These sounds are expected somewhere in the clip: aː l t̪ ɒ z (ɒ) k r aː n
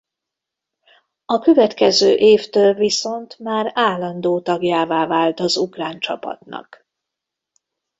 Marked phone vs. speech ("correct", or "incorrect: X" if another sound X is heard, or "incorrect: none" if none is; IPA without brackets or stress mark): incorrect: u